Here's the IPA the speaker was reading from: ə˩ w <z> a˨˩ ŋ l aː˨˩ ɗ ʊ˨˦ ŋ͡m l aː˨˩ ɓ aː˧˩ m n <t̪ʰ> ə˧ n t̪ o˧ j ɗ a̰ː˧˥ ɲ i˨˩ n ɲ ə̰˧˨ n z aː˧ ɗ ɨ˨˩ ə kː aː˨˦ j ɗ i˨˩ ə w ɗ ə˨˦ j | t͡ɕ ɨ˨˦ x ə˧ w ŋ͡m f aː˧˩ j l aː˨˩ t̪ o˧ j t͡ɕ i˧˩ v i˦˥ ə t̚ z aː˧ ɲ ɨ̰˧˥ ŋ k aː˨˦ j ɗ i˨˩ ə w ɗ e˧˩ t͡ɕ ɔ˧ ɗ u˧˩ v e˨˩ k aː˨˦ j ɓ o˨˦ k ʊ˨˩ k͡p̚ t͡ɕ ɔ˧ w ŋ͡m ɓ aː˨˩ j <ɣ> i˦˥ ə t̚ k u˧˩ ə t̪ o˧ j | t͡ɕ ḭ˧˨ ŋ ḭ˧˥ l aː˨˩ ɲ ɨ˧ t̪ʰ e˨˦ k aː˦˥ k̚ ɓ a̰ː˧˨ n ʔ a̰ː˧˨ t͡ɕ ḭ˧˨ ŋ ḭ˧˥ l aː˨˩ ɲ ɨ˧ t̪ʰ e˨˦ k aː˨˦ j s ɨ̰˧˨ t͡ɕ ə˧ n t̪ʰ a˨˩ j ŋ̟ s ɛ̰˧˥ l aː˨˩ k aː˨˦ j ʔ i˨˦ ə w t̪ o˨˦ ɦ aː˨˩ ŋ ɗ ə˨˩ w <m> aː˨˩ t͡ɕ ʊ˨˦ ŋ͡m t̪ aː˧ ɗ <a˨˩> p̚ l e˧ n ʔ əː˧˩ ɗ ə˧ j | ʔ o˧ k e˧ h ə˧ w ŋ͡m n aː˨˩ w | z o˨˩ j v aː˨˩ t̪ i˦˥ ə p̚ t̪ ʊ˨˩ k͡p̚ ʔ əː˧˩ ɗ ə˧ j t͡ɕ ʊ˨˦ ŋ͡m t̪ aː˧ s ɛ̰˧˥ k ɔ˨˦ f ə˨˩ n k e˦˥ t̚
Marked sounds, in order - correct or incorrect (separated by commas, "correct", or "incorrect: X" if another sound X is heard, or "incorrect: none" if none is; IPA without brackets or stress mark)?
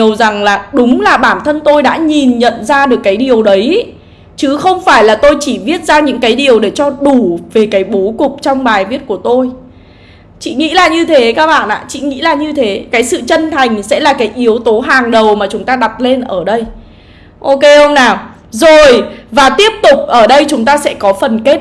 correct, correct, incorrect: v, correct, correct